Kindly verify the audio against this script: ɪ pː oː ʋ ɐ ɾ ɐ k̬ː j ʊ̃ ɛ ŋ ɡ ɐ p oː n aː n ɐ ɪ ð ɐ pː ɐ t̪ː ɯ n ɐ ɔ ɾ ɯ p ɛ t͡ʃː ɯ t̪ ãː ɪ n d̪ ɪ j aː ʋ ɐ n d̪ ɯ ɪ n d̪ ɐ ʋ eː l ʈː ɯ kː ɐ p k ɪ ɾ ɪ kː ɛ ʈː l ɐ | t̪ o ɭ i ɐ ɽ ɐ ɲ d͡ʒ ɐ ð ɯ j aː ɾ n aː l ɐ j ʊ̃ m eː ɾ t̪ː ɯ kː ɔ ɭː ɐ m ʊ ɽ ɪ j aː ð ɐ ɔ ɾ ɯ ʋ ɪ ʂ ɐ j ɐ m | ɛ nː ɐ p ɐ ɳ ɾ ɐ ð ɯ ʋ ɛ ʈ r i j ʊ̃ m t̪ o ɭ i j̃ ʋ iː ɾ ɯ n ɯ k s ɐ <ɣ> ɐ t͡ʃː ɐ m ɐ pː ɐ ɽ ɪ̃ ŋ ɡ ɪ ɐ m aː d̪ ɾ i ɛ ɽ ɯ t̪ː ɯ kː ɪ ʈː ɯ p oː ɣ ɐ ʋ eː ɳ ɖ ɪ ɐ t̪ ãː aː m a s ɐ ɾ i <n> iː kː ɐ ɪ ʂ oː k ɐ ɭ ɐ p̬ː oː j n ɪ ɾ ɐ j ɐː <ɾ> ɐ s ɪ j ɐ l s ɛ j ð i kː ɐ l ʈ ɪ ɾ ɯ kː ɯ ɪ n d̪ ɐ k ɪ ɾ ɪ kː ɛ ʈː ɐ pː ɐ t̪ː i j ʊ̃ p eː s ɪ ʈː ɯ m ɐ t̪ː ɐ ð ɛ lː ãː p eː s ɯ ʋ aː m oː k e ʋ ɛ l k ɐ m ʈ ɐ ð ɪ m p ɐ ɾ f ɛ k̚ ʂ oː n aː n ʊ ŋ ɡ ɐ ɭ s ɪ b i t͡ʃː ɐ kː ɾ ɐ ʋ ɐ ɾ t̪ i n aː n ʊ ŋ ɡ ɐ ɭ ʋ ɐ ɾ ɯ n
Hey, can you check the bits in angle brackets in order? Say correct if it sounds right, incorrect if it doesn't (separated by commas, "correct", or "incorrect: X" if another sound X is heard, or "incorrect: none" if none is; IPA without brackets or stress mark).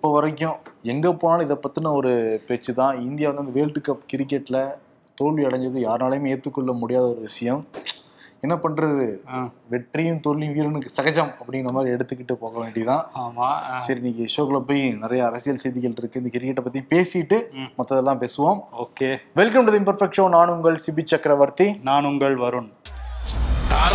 correct, correct, correct